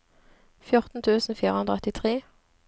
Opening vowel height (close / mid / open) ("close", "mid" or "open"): close